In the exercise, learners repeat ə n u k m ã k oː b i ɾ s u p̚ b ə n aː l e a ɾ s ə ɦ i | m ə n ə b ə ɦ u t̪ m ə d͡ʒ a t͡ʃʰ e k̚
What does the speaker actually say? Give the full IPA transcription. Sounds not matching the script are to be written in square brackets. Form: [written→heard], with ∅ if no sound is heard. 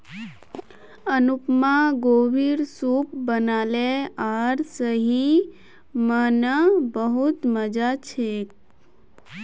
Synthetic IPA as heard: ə n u [k→p] m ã [k→ɡ] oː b i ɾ s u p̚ b ə n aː l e a ɾ s ə ɦ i | m ə n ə b ə ɦ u t̪ m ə d͡ʒ a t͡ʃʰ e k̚